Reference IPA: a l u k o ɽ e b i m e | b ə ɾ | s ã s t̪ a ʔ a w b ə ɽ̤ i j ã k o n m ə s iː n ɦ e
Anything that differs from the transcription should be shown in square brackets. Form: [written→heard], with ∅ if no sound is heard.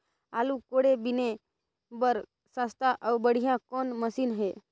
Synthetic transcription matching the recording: a l u k o ɽ e b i [m→n] e | b ə ɾ | s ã s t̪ a ʔ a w b ə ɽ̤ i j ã k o n m ə s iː n ɦ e